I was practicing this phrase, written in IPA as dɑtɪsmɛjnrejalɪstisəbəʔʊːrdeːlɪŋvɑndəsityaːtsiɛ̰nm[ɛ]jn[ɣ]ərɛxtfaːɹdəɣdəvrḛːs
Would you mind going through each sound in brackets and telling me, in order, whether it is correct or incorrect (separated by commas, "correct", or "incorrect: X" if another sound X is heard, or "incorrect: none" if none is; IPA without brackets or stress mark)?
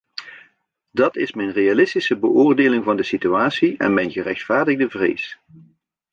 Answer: correct, correct